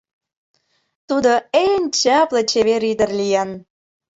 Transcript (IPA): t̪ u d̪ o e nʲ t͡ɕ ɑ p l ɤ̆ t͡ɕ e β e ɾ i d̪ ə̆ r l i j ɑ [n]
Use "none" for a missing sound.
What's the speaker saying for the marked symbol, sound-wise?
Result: n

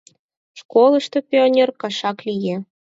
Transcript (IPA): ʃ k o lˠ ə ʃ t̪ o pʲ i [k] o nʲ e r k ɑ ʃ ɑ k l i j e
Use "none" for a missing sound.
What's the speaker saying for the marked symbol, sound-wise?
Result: none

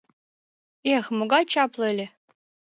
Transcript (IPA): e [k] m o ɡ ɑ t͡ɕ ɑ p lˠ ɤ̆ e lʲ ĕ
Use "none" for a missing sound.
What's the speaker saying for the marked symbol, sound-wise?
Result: x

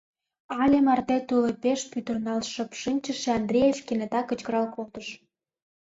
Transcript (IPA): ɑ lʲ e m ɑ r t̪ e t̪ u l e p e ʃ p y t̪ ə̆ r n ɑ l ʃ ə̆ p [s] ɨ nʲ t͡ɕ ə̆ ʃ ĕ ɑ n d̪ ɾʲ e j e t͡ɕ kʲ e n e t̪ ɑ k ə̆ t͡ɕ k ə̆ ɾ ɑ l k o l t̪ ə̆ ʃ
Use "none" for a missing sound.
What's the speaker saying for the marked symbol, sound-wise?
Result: ʃ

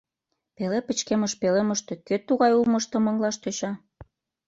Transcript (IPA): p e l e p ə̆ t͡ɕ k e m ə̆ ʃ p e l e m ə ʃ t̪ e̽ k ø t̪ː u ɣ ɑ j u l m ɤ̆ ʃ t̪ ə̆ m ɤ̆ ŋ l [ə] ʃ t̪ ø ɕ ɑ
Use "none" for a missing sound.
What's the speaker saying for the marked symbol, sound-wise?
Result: ɑ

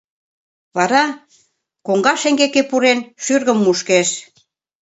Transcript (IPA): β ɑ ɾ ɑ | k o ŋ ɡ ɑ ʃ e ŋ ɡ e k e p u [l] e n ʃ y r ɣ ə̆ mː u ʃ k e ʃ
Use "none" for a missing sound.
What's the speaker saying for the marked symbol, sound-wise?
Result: ɾ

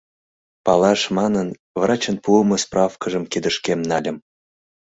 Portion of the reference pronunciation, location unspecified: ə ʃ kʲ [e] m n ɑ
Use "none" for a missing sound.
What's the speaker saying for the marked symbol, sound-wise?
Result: e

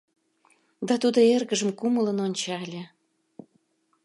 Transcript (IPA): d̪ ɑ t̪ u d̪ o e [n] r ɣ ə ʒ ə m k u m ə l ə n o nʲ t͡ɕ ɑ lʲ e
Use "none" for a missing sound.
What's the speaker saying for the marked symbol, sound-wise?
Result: none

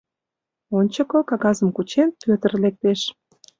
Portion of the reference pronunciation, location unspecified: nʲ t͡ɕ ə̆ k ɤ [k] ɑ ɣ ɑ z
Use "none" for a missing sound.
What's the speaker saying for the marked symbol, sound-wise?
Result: k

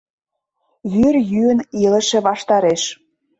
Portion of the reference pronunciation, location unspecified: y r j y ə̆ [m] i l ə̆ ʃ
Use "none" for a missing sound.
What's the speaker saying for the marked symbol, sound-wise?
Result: n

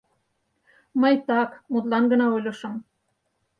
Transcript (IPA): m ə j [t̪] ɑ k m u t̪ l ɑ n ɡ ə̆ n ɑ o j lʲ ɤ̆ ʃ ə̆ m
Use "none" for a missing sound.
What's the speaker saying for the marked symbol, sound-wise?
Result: t̪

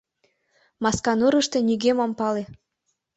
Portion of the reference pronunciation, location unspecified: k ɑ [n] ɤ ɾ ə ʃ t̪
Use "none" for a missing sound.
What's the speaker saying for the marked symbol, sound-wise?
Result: n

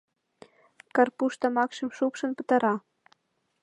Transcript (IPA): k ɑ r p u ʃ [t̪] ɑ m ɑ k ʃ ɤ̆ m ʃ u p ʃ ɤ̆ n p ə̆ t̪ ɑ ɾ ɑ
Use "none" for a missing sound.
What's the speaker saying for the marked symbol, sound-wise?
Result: t̪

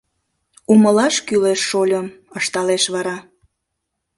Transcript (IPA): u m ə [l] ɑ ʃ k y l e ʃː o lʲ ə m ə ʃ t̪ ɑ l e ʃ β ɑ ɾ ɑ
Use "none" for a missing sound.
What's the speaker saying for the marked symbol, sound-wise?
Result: l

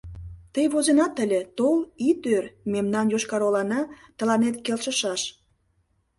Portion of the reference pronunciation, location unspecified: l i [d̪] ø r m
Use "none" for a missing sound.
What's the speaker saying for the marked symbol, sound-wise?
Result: t̪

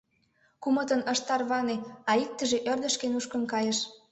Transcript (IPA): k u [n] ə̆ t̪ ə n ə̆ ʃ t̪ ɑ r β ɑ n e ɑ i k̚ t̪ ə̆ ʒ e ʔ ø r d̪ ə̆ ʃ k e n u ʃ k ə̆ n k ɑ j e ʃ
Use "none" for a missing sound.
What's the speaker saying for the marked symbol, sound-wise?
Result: m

